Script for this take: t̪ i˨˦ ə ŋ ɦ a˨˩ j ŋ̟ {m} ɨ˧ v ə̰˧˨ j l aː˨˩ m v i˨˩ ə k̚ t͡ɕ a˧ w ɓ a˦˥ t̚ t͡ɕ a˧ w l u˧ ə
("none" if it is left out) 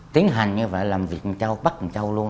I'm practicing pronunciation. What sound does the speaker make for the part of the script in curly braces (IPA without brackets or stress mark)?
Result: ɲ